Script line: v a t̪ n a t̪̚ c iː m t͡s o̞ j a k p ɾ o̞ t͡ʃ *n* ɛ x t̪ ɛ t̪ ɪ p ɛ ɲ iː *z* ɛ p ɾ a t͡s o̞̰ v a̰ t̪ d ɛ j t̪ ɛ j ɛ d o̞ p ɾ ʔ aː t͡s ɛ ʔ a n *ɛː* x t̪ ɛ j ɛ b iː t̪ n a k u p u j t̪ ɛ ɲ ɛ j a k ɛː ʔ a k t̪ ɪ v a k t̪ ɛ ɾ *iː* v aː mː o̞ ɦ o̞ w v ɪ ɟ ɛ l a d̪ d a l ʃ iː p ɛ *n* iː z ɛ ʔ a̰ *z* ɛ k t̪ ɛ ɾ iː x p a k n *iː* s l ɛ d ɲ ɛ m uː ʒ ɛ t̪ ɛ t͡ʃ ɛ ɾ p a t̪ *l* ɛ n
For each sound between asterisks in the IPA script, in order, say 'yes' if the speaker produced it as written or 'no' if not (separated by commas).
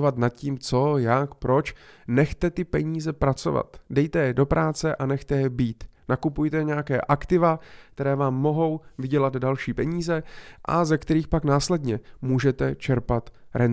yes, yes, no, no, no, yes, no, no